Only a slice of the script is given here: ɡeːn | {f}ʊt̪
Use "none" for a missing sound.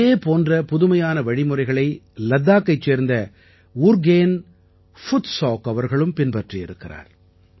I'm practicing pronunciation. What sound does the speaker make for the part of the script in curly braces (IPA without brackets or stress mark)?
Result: f